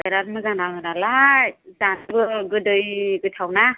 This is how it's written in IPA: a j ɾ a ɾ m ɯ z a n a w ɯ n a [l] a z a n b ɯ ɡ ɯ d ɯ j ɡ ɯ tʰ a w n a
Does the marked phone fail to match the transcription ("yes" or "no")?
no